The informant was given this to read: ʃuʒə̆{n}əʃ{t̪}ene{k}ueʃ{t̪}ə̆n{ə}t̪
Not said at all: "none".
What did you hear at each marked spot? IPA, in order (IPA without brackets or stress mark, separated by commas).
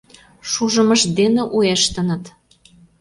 m, d̪, ʔ, t̪, ə